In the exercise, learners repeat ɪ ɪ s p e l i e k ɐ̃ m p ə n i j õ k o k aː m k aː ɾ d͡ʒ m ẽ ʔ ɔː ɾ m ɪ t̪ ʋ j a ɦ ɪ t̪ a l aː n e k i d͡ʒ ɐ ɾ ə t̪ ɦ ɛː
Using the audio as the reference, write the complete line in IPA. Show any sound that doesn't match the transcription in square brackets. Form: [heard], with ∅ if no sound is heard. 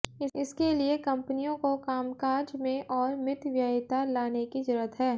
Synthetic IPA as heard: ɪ ɪ s [k] e l i e k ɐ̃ m p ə n i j õ k o k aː m k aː ɾ d͡ʒ m ẽ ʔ ɔː ɾ m ɪ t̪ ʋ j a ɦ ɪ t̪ a l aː n e k i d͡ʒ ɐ ɾ ə t̪ ɦ ɛː